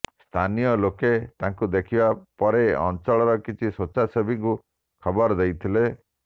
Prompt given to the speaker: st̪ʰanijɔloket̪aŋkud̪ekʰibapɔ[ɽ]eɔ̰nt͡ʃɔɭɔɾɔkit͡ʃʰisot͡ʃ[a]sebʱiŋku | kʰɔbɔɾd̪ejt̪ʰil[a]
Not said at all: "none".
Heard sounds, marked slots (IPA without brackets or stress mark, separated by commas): ɾ, a, e